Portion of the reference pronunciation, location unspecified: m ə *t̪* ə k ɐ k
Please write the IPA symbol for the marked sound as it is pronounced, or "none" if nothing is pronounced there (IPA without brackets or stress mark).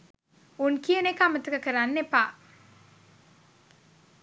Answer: t̪